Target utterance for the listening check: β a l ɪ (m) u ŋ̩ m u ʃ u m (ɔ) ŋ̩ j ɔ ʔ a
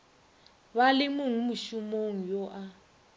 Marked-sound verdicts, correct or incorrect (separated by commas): correct, incorrect